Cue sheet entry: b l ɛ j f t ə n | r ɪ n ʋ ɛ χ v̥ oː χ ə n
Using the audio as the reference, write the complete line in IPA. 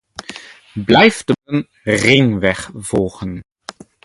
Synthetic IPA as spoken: b l ɛ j f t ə n | r ɪ ŋ ʋ ɛ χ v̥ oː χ ə n